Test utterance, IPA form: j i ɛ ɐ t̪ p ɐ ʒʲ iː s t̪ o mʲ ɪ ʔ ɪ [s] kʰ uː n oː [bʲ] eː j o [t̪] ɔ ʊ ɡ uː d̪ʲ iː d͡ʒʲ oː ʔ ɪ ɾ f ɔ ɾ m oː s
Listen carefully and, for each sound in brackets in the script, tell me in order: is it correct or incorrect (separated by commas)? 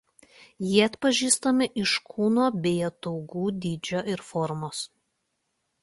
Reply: incorrect, correct, correct